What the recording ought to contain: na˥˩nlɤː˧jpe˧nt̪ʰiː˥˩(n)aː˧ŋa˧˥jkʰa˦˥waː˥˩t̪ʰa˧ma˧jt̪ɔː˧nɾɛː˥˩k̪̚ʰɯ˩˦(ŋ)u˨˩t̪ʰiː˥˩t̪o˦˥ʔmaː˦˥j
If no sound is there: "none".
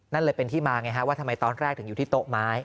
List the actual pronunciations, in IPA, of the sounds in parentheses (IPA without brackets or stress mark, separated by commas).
m, ŋ